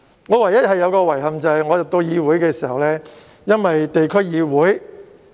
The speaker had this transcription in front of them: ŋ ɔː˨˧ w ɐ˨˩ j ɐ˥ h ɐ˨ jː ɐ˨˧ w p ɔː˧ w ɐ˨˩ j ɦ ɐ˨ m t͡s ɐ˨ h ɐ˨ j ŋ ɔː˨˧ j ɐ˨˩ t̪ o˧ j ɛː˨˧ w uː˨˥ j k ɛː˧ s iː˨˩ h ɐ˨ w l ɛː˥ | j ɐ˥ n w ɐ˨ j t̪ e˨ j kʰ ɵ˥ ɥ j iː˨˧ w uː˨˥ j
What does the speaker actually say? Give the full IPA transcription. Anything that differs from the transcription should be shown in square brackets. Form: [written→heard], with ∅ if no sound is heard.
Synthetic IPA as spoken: ŋ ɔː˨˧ w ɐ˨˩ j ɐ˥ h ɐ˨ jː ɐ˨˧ w [p→k] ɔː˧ w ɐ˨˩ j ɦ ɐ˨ m t͡s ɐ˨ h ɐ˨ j ŋ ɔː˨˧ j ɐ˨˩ t̪ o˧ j [ɛː˨˧→iː˨˧] w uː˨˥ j k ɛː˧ s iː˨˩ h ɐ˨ w l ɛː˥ | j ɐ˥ n w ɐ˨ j t̪ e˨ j kʰ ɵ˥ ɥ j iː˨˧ w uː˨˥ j